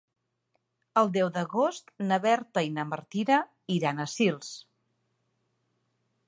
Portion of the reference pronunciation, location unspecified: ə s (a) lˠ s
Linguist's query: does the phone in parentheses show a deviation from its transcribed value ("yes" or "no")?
yes